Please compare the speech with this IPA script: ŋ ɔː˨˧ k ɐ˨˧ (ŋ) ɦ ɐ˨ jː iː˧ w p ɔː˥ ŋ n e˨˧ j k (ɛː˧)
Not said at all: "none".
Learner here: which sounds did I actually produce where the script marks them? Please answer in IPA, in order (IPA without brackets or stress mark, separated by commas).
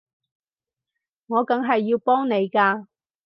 ŋ, aː˧